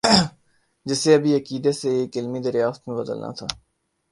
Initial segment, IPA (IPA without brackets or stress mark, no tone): d͡ʒ